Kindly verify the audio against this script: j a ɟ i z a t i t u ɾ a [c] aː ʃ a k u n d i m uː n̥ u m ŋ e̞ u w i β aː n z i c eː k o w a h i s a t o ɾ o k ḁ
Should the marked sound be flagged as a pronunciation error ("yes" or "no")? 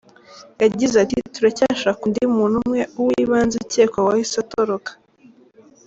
no